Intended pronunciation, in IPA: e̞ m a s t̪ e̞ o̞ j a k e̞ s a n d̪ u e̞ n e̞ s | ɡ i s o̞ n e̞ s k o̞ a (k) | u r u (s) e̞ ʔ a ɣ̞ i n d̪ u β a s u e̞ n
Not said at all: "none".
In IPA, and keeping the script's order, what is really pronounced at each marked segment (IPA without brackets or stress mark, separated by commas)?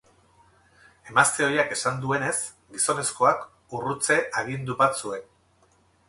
k, t͡s